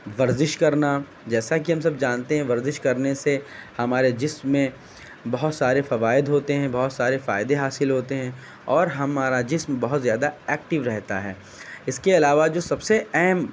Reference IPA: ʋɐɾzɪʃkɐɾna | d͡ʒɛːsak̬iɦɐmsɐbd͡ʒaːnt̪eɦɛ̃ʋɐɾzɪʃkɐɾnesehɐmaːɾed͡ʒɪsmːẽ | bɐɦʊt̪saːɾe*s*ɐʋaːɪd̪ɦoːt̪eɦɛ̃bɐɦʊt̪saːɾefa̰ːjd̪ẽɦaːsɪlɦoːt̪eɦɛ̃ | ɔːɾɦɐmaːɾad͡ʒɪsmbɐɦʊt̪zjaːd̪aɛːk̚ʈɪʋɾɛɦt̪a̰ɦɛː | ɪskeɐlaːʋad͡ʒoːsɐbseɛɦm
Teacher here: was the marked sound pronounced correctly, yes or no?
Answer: no